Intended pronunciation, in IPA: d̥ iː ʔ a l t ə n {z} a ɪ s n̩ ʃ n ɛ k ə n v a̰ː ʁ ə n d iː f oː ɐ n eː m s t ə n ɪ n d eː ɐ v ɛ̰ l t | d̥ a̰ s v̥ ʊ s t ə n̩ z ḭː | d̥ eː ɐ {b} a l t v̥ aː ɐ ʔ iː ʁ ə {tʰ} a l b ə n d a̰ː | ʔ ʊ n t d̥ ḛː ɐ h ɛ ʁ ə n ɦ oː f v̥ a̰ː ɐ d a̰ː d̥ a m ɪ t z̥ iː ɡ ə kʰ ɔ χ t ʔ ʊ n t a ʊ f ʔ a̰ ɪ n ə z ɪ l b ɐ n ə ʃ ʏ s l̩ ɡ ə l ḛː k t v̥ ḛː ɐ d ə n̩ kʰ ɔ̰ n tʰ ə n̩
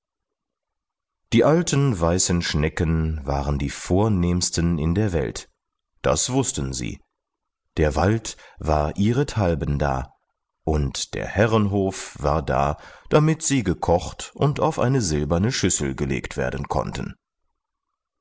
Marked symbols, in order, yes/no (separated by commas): no, no, yes